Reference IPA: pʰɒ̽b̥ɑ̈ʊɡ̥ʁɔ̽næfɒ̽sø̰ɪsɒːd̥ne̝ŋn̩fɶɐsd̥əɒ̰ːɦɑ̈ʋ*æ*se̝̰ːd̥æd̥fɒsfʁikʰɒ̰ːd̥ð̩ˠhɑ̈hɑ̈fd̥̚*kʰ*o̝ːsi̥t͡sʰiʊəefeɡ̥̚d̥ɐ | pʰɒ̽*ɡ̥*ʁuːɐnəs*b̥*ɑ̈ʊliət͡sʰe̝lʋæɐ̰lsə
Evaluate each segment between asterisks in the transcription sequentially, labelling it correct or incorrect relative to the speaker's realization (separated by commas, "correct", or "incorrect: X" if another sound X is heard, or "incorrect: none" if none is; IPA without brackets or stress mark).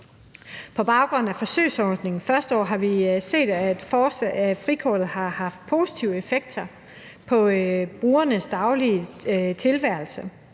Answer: incorrect: i, incorrect: pʰ, incorrect: b̥, incorrect: d̥